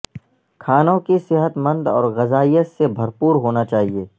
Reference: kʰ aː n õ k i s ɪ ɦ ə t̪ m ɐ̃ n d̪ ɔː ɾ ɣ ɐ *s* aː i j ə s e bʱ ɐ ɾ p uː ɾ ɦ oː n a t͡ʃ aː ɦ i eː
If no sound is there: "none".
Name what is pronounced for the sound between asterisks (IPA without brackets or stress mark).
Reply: z